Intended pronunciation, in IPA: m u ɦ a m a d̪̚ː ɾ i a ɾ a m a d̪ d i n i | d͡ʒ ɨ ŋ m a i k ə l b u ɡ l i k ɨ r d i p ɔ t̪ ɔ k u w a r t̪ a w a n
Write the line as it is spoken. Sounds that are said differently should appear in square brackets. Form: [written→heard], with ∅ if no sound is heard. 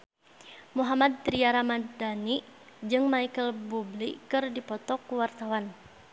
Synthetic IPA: m u ɦ a m a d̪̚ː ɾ i a ɾ a m a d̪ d [i→a] n i | d͡ʒ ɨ ŋ m a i k ə l b u [ɡ→b] l i k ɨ r d i p ɔ t̪ ɔ k u w a r t̪ a w a n